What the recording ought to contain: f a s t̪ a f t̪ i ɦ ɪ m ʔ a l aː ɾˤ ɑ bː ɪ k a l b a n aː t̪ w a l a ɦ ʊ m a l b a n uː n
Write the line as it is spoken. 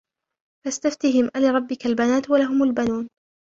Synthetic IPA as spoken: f a s t̪ a f t̪ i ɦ ɪ m ʔ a l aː ɾˤ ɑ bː ɪ k a l b a n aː t̪ w a l a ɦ ʊ m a l b a n uː n